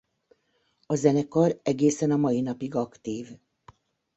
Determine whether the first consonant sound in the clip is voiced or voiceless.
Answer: voiced